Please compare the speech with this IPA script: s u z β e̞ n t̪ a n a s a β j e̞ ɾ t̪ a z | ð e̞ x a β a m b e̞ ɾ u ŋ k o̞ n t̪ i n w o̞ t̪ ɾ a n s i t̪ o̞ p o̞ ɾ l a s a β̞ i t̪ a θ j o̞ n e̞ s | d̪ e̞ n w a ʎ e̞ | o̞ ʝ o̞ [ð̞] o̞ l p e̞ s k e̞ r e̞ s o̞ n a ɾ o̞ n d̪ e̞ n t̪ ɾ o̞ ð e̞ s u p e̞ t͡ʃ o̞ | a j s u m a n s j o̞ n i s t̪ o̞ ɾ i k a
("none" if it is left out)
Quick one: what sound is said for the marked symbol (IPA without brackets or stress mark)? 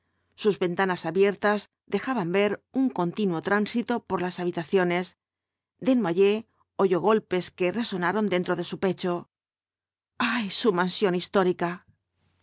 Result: ɣ̞